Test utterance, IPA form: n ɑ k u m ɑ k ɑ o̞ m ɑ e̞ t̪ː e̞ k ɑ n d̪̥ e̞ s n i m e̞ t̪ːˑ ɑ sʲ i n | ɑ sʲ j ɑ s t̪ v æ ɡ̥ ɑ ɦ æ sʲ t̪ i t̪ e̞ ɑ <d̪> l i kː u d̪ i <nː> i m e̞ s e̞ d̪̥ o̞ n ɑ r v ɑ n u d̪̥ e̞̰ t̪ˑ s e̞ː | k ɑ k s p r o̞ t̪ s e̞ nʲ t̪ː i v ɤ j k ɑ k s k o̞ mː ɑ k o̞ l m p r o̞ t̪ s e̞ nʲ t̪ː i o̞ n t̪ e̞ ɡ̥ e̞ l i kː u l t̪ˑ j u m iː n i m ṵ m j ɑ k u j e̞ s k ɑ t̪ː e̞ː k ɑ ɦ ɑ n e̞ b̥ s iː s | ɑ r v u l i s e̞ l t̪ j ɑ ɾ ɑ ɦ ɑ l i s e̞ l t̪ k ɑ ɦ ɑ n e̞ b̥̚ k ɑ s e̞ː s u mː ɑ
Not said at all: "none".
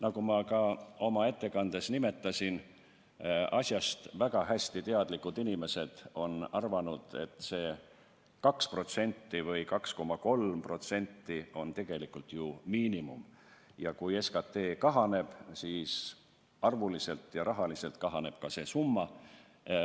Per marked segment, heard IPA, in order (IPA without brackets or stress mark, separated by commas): d̪, n